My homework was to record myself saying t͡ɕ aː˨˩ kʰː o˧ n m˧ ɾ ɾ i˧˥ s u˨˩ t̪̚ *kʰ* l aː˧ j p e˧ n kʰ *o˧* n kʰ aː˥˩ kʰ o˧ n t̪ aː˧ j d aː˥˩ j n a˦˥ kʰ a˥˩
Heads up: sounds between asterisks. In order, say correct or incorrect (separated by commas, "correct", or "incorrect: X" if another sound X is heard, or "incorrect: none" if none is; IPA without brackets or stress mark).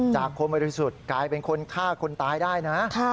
incorrect: k, correct